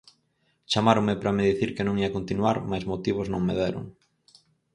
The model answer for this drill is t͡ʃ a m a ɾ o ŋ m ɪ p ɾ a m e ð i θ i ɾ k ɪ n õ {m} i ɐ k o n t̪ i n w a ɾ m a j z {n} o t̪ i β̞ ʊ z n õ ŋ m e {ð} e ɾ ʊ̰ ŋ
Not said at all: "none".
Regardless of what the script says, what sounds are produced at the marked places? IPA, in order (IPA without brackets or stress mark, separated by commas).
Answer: ŋ, m, ð